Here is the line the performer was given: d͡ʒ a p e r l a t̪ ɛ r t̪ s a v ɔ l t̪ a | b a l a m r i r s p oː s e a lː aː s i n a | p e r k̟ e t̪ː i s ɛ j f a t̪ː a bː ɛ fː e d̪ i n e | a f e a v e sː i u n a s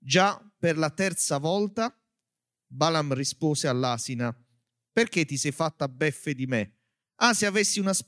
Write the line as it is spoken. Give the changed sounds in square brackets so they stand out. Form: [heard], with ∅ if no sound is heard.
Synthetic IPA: d͡ʒ a p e r l a t̪ ɛ r t̪ s a v ɔ l t̪ a | b a l a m r i [∅] s p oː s e a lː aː s i n a | p e r k̟ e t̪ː i s ɛ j f a t̪ː a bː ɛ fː e d̪ i [m] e | a [s] e a v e sː i u n a s